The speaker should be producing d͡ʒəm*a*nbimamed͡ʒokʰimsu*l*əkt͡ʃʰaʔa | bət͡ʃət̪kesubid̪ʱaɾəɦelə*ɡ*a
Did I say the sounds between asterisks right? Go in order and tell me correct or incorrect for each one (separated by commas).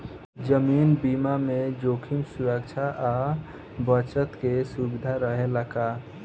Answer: incorrect, incorrect, incorrect